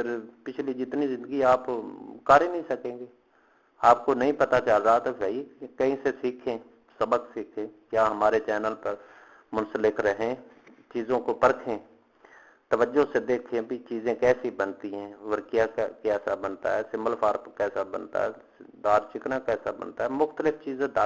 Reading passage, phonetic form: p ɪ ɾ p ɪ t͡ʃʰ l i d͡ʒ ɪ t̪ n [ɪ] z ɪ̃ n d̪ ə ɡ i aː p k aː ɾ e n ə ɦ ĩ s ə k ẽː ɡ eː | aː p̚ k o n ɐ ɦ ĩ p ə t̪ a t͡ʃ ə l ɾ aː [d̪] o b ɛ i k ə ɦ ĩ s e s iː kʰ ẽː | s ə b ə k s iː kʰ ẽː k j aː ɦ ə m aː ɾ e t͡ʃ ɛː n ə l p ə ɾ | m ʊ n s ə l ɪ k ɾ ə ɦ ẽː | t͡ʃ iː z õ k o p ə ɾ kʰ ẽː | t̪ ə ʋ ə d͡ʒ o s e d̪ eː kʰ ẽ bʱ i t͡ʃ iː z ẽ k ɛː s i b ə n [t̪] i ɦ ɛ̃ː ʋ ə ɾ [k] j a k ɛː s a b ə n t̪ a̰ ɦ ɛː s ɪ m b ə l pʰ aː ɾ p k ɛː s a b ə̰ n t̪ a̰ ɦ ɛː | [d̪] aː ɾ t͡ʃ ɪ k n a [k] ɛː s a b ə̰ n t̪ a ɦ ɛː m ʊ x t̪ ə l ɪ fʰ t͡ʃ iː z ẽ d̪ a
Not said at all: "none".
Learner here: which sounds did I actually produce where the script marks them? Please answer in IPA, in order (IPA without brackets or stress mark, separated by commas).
i, t̪, t̪, k, d̪, k